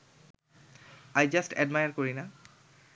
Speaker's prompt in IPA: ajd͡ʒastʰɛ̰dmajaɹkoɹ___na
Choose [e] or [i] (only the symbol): i